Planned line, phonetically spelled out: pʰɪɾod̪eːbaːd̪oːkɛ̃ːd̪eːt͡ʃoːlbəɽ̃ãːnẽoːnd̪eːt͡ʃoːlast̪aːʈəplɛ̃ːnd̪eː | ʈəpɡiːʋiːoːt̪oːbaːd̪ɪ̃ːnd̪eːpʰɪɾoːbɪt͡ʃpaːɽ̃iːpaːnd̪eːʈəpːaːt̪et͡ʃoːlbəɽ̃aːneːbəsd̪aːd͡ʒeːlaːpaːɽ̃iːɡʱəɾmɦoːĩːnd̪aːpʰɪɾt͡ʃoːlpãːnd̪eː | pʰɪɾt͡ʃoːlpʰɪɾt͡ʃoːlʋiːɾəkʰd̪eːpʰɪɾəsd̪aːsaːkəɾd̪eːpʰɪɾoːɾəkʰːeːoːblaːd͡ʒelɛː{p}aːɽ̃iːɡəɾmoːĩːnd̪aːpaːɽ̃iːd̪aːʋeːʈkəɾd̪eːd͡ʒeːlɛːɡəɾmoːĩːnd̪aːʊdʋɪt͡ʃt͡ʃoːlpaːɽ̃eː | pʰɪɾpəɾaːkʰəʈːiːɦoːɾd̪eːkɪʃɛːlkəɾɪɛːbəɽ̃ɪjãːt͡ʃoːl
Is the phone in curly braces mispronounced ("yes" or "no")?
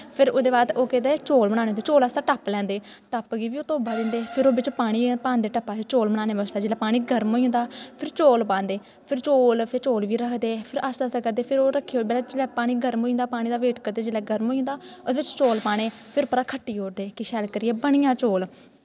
no